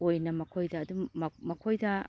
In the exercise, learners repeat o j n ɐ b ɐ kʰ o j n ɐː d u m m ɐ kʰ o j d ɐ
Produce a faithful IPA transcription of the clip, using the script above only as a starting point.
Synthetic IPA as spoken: o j n ɐ m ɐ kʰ o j d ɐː d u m m ɐ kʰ o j d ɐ